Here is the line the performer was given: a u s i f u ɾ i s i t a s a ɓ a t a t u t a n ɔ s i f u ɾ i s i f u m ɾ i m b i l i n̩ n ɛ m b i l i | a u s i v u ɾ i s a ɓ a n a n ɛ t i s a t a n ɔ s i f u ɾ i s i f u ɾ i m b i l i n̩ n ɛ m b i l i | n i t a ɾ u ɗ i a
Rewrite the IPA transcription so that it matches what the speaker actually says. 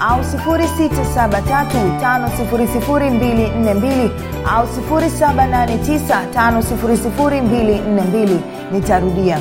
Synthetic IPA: a u s i f u ɾ i s i t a s a ɓ a t a t u t a n ɔ s i f u ɾ i s i f u ɾ i m b i l i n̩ n ɛ m b i l i | a u s i f u ɾ i s a ɓ a n a n ɛ t i s a t a n ɔ s i f u ɾ i s i f u ɾ i m b i l i n̩ n ɛ m b i l i | n i t a ɾ u ɗ i a